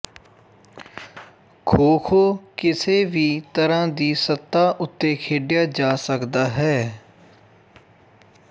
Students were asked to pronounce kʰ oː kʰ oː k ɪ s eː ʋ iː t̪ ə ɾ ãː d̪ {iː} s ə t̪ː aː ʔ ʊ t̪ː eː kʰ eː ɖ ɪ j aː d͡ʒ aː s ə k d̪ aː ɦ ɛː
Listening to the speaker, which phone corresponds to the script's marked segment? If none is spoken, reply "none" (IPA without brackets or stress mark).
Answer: iː